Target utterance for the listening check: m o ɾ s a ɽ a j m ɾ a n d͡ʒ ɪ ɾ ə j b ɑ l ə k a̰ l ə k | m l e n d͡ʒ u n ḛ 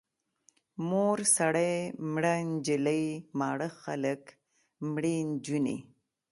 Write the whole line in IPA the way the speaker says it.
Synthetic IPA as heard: m o ɾ s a ɽ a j m ɽ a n d͡ʒ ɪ l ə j m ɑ ɽ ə x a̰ l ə k | m ɽ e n d͡ʒ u n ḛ